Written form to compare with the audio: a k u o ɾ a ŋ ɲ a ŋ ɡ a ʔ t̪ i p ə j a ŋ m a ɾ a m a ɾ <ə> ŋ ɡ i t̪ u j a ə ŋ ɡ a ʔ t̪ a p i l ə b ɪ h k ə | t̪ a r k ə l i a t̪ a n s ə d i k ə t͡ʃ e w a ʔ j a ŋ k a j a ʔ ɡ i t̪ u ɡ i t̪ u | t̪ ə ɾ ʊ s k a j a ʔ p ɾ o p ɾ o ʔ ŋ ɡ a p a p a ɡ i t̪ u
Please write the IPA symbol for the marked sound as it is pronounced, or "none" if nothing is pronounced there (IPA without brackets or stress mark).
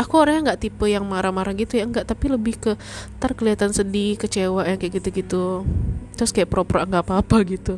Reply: a